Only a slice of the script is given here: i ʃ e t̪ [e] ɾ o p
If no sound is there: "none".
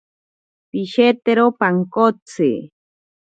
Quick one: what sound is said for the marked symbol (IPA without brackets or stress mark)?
e